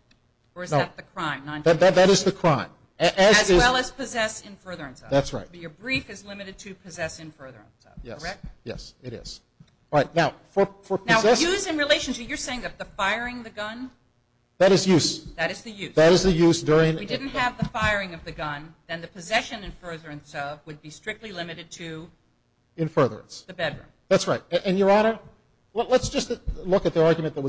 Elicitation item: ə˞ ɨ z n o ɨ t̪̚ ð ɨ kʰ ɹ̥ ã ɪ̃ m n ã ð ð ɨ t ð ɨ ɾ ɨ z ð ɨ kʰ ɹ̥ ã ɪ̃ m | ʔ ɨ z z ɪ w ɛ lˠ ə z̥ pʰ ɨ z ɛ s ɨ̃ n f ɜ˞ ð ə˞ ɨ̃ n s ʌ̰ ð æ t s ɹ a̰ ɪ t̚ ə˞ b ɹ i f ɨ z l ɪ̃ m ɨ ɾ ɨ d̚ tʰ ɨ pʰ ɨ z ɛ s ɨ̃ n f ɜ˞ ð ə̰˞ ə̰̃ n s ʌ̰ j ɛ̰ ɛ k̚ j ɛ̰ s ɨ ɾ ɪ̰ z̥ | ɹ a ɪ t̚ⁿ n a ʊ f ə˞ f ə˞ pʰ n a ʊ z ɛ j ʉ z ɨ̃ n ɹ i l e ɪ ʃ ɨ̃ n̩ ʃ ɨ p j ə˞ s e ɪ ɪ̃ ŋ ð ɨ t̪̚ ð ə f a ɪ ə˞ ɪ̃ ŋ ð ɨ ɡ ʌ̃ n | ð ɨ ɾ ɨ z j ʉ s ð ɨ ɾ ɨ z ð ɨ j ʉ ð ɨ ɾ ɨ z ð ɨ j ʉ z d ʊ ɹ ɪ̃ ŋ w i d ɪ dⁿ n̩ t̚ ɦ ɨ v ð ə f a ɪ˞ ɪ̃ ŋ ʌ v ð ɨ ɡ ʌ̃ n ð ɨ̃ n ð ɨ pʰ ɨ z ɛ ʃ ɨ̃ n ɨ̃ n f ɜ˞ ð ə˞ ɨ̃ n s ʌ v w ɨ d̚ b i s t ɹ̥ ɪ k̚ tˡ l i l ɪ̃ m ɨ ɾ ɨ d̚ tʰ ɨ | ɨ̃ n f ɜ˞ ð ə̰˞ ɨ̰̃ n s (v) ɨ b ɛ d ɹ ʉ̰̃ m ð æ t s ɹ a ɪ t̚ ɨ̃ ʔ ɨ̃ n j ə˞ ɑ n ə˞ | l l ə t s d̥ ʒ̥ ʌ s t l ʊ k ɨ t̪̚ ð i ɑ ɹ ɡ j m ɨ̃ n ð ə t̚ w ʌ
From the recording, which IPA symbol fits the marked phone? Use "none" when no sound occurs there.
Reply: ð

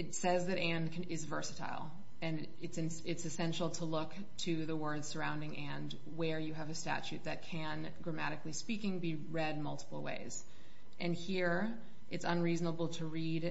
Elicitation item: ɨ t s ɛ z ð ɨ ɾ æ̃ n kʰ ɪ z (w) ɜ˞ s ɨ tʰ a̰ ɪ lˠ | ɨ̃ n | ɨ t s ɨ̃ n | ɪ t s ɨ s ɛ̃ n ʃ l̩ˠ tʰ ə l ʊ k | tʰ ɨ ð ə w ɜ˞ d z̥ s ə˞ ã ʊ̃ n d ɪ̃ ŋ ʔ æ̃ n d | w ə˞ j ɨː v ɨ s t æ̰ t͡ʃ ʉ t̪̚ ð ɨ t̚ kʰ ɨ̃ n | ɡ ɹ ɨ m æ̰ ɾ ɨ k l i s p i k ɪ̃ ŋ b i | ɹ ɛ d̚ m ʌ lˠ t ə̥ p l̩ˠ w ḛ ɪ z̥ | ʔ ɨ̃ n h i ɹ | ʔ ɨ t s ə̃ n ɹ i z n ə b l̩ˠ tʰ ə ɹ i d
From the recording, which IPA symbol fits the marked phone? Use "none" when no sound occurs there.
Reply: v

